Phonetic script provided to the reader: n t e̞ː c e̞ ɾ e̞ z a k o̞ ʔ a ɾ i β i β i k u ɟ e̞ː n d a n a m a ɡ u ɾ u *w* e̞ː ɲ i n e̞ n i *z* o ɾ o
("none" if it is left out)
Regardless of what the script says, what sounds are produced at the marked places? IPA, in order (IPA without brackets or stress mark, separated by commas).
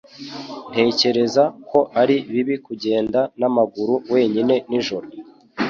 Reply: w, ʒ